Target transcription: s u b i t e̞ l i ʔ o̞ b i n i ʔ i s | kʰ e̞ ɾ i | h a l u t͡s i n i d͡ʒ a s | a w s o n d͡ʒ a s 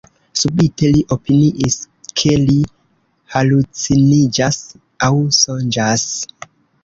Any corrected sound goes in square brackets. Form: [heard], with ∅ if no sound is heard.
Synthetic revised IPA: s u b i t e̞ l i ʔ o̞ [p] i n i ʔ i s | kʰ e̞ [l] i | h a l u t͡s i n i d͡ʒ a s | a w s o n d͡ʒ a s

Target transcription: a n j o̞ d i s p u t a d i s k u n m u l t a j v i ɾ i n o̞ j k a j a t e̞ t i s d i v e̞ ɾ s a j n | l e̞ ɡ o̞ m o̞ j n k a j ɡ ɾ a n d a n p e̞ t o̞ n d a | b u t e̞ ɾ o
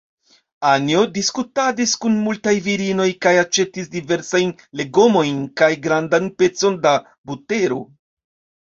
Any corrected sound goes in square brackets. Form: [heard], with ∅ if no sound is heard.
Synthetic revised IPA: a n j o̞ d i s [k] u t a d i s k u n m u l t a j v i ɾ i n o̞ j k a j a [t͡ʃ] e̞ t i s d i v e̞ ɾ s a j n | l e̞ ɡ o̞ m o̞ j n k a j ɡ ɾ a n d a n p e̞ [t͡s] o̞ n d a | b u t e̞ ɾ o

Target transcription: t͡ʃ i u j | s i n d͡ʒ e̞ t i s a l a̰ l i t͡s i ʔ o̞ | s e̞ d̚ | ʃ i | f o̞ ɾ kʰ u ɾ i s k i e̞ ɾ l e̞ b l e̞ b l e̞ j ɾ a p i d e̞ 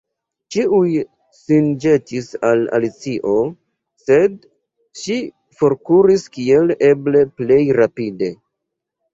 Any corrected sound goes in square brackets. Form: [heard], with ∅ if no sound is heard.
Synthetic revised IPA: t͡ʃ i u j | s i n d͡ʒ e̞ t i s a l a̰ l i t͡s i ʔ o̞ | s e̞ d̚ | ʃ i | f o̞ ɾ [k] u ɾ i s k i e̞ [∅] l e̞ b l e̞ [p] l e̞ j ɾ a p i d e̞

